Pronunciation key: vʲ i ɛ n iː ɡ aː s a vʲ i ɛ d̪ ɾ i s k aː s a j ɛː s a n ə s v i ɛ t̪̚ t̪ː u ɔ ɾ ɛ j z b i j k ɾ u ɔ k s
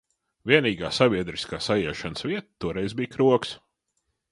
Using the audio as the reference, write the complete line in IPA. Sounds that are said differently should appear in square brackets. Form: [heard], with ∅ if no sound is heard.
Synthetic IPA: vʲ i ɛ n iː ɡ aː s a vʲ i ɛ d̪ ɾ i s k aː s a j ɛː [ʃ] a n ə s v i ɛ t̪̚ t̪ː u ɔ ɾ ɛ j z b i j k ɾ u ɔ k s